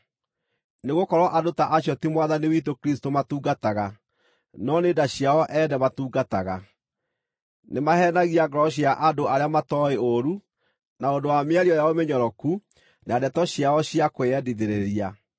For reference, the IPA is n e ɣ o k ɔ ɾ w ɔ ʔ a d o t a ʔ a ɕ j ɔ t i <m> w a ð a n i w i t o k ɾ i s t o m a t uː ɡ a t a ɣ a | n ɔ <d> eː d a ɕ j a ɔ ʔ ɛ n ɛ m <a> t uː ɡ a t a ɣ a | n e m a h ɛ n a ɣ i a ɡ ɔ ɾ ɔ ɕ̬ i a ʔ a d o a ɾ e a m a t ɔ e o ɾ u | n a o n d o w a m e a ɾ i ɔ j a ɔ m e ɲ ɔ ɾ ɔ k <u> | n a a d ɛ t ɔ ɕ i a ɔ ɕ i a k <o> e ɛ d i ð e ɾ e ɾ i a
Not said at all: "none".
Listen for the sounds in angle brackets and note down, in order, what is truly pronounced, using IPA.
m, n, a, u, o

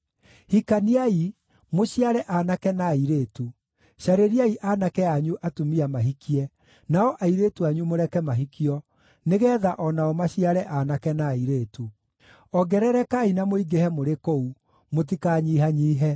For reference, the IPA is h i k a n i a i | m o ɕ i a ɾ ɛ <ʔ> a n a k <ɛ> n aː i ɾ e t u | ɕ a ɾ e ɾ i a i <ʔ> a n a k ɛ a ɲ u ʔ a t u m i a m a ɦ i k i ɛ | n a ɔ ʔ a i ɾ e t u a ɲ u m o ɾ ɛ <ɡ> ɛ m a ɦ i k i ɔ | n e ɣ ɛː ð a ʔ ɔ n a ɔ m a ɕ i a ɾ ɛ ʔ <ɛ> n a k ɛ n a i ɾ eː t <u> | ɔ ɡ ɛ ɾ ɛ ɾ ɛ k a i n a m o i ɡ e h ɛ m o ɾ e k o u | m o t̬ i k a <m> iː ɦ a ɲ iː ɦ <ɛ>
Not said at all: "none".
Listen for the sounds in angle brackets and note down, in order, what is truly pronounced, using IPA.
ʔ, ɛ, ʔ, k, a, u, ɲ, ɛ

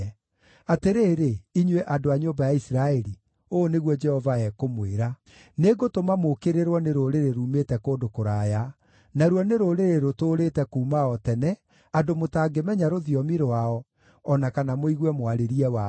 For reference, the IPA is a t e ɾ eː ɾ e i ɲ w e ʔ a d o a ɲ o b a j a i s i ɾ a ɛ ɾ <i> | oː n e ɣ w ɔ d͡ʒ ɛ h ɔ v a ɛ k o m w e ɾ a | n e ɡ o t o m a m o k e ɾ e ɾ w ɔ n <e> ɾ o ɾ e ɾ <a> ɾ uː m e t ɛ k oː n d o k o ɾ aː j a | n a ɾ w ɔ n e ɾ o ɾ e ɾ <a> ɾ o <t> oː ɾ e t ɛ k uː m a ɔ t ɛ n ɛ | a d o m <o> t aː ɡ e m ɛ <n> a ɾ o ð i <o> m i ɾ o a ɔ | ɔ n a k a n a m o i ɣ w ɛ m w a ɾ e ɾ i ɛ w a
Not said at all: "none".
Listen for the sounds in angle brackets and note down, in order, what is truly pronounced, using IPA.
i, e, e, e, t, o, ɲ, ɔ

